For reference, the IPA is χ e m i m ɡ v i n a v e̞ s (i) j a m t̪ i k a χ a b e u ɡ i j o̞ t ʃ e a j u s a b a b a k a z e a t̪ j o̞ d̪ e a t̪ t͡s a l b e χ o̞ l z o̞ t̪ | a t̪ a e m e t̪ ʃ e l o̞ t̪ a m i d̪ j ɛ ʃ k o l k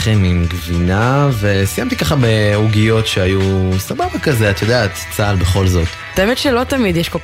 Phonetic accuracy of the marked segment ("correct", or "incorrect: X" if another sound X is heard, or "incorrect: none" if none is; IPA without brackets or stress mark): correct